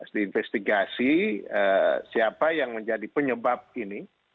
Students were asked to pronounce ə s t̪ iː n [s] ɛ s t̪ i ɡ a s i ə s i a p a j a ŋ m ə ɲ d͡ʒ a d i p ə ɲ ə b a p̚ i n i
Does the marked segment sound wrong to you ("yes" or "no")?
yes